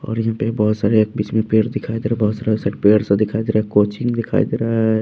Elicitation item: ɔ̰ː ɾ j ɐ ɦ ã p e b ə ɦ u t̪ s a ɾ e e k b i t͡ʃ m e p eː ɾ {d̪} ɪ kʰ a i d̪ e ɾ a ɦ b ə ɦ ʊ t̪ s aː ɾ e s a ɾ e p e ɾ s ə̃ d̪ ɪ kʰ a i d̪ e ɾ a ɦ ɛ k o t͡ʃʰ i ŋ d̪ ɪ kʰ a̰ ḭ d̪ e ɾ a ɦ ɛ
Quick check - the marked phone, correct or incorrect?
correct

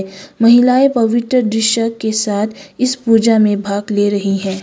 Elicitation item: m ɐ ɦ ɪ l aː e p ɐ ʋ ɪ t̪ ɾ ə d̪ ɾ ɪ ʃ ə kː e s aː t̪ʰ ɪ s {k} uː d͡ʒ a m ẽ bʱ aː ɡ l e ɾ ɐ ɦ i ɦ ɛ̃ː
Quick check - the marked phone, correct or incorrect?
incorrect: p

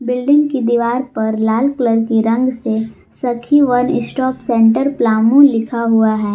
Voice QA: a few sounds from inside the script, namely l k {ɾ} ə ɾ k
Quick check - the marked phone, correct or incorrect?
incorrect: l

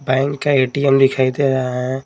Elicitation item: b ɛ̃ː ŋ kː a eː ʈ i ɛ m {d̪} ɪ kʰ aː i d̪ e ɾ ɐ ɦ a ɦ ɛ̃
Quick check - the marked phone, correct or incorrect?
correct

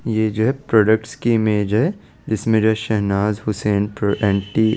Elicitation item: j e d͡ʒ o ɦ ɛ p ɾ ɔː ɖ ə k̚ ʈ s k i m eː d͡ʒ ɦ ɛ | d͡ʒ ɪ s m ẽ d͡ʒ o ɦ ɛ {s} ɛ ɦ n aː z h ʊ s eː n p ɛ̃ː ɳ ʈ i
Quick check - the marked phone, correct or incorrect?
incorrect: ʃ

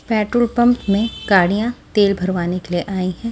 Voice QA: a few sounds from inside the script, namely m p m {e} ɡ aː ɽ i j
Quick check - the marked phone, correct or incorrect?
incorrect: ẽ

